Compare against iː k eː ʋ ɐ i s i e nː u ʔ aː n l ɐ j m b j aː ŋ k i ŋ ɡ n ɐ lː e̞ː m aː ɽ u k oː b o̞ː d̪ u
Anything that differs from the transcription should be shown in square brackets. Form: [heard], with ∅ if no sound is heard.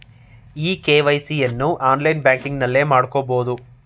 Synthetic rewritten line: iː k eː ʋ ɐ [j] s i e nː u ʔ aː n l ɐ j [n] b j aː ŋ k i ŋ ɡ n ɐ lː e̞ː m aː ɽ u k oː b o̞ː d̪ u